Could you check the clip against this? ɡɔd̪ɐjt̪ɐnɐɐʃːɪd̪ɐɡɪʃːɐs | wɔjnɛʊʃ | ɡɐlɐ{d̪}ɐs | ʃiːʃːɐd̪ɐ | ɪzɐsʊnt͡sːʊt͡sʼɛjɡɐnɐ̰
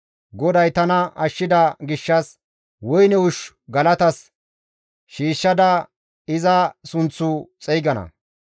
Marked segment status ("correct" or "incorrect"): incorrect